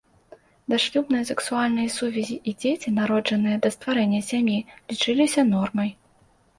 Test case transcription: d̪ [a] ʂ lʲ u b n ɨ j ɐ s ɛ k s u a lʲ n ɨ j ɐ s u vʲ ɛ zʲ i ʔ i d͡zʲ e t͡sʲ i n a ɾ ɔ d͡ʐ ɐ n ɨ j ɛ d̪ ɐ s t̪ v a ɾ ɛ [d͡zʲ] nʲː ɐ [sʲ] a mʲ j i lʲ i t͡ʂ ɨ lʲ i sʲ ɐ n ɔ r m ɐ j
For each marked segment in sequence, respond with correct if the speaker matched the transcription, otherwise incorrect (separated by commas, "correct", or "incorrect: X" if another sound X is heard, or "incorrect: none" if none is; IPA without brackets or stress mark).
correct, incorrect: none, correct